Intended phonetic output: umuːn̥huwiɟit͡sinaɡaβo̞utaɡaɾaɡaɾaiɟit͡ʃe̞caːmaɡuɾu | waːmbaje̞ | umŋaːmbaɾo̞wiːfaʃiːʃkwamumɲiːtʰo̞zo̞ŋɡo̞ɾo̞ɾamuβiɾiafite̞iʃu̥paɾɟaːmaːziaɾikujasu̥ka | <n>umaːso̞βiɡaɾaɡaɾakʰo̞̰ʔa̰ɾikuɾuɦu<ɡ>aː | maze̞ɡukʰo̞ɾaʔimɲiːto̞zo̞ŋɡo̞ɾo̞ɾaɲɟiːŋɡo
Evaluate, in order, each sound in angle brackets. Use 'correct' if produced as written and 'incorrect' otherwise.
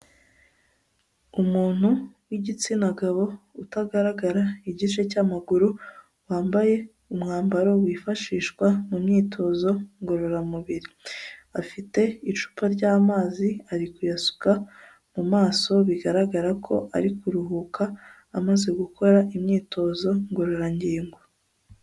incorrect: m, incorrect: k

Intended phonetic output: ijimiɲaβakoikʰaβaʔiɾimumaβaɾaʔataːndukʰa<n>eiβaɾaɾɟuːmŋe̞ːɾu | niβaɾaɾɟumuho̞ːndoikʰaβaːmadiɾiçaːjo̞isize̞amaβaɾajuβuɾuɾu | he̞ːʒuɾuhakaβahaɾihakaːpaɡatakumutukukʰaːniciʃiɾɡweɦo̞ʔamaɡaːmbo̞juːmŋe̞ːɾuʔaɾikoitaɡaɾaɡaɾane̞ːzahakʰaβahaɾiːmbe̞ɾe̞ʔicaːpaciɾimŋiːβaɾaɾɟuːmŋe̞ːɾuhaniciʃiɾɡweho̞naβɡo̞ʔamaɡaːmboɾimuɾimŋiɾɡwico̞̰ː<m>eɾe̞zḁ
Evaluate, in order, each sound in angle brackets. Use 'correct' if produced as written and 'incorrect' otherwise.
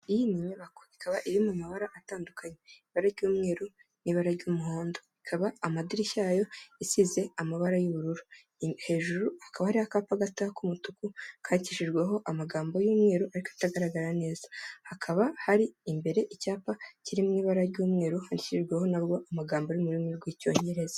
incorrect: ɲ, incorrect: ɲ

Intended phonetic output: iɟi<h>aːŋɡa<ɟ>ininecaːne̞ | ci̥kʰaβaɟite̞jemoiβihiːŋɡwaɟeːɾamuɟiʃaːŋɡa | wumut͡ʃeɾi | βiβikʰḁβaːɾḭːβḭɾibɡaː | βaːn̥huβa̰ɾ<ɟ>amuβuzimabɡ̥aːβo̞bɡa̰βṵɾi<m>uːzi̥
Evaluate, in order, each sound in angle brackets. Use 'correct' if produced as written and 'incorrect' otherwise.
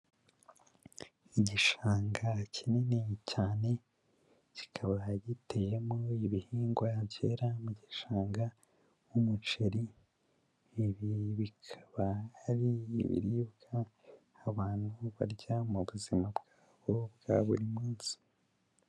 incorrect: ʃ, incorrect: c, correct, correct

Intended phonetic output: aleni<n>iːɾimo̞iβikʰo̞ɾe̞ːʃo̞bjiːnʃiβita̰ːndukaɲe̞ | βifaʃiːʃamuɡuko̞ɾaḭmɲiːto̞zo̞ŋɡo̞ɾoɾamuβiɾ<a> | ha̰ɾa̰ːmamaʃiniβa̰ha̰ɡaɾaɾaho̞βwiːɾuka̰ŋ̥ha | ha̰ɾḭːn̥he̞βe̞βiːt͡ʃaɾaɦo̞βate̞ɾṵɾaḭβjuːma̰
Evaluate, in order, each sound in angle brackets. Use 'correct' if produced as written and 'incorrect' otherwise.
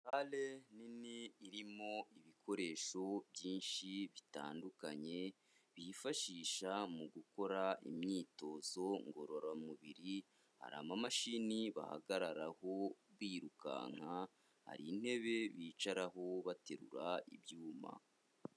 correct, incorrect: i

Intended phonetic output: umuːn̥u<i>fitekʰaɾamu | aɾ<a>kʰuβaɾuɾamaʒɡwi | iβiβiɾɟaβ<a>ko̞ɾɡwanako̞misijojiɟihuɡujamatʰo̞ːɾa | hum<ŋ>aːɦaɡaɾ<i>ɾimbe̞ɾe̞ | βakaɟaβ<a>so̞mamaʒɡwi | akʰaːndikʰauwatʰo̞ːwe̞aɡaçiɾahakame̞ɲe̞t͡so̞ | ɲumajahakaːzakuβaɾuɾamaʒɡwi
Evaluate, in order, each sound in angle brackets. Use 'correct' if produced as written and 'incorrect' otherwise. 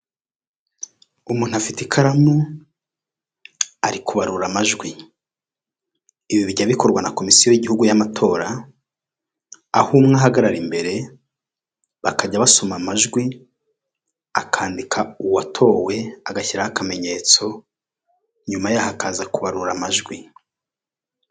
incorrect: a, incorrect: i, incorrect: i, correct, incorrect: a, correct

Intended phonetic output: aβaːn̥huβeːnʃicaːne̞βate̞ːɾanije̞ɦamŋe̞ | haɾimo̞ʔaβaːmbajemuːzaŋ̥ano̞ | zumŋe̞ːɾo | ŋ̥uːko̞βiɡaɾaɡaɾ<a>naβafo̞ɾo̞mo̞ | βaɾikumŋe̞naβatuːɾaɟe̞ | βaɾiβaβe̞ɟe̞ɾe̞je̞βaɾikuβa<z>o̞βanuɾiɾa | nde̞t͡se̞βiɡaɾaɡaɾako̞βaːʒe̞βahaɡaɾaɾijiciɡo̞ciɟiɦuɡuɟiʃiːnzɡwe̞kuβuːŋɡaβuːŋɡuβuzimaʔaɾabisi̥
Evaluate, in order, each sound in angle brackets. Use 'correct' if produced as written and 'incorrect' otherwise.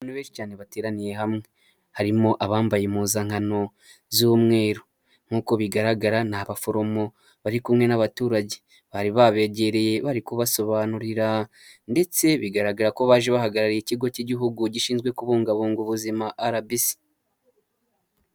correct, incorrect: s

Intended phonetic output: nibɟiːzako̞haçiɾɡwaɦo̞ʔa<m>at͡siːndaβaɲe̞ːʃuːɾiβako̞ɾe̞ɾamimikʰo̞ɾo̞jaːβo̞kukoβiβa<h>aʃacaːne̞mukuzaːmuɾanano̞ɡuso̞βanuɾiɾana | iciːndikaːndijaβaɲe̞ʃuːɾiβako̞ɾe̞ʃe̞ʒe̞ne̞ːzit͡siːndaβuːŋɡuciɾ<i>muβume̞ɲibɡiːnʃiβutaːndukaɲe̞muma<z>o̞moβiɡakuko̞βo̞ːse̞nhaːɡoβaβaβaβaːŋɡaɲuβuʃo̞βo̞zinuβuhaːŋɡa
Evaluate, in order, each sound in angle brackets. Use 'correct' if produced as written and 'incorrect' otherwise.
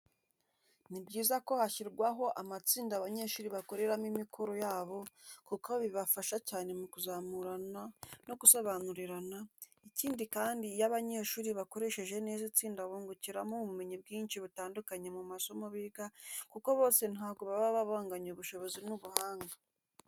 correct, incorrect: f, incorrect: a, incorrect: s

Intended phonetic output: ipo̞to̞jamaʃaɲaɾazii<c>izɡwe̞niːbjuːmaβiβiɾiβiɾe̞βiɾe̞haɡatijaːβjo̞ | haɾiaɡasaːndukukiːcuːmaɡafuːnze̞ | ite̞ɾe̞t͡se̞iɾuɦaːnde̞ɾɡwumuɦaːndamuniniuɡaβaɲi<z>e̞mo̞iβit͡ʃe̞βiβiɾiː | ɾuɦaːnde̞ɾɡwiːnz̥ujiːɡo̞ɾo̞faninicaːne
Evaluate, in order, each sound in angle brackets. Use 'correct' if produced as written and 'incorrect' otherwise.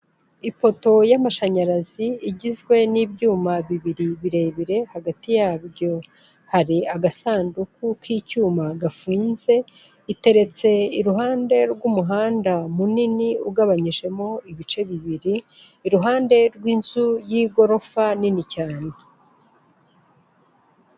incorrect: ɟ, incorrect: ʒ

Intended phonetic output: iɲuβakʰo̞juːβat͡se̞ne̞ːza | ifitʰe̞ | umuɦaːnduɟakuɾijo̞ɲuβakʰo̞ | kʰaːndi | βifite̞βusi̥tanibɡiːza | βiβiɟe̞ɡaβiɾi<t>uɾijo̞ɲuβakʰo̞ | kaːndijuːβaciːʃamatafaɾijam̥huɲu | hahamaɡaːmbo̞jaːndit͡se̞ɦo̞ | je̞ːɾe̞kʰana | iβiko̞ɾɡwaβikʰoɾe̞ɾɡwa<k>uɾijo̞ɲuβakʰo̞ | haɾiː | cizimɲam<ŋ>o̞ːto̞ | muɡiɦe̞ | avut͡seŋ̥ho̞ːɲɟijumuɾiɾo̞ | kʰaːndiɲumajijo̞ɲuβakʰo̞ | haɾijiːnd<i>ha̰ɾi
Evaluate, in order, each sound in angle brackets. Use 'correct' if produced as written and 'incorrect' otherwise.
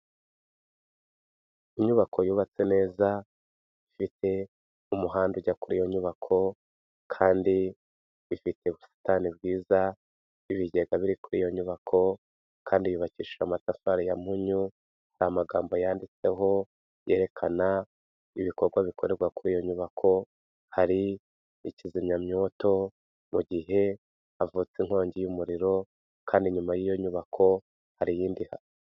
incorrect: k, correct, incorrect: ɲ, correct

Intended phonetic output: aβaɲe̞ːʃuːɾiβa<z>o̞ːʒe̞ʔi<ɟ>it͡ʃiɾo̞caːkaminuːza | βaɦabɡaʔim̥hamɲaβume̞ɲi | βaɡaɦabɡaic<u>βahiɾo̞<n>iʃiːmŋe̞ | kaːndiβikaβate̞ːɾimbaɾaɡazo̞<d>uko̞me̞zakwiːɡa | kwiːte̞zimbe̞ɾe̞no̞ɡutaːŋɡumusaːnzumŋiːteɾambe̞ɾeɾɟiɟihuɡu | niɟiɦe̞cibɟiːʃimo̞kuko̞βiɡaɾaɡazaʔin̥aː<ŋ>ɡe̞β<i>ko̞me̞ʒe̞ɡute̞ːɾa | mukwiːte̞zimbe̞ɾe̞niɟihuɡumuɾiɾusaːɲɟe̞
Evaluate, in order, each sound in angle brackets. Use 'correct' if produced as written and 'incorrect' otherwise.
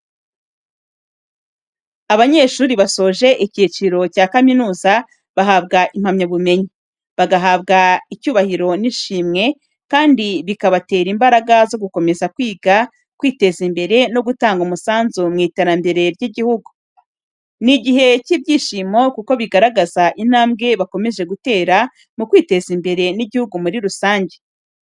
incorrect: s, incorrect: c, incorrect: uː, correct, incorrect: ɡ, incorrect: m, incorrect: a

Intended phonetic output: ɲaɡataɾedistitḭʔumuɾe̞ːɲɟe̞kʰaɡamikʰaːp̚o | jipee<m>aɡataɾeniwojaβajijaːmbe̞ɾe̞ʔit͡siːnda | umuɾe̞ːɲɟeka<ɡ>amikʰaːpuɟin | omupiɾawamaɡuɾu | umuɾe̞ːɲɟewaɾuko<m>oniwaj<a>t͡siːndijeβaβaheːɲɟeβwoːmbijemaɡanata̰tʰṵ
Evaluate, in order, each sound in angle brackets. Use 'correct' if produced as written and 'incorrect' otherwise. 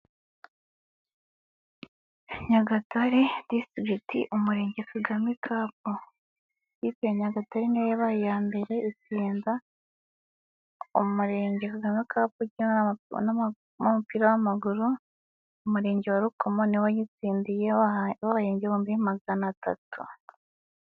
incorrect: ɲ, correct, correct, incorrect: i

